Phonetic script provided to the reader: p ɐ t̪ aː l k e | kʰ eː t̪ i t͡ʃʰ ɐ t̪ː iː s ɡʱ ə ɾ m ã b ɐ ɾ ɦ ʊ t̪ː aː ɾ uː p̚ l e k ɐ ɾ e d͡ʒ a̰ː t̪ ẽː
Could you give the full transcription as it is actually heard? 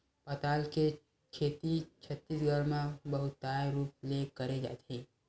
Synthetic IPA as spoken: p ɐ t̪ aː l k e | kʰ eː t̪ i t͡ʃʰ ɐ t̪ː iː s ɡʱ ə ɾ m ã b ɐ ɦ ʊ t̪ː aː ɾ uː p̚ l e k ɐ ɾ e d͡ʒ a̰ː t̪ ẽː